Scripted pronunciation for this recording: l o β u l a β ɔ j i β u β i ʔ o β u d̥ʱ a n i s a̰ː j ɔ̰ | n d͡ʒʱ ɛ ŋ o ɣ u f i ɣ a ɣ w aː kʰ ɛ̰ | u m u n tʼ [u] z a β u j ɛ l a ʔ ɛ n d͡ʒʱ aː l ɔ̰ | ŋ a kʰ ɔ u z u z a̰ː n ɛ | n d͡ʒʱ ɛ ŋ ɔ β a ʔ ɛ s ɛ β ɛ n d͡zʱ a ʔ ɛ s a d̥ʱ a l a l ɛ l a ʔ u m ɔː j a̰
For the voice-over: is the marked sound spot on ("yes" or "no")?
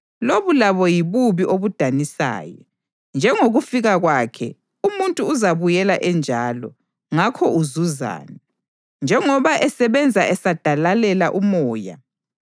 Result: no